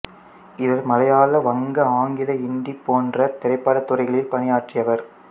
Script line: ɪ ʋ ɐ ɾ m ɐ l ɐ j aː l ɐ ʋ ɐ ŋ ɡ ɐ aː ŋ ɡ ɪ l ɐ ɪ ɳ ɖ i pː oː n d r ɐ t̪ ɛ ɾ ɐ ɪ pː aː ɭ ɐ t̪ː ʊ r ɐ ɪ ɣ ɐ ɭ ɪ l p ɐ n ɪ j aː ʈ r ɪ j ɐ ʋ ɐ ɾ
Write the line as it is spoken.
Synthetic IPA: ɪ ʋ ɐ ɾ m ɐ l ɐ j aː l ɐ ʋ ɐ ŋ ɡ ɐ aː ŋ ɡ ɪ l ɐ ɪ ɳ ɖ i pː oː n d r ɐ t̪ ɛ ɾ ɐ ɪ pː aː ɽ ɐ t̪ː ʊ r ɐ ɪ ɣ ɐ ɭ ɪ l p ɐ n ɪ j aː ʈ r ɪ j ɐ ʋ ɐ ɾ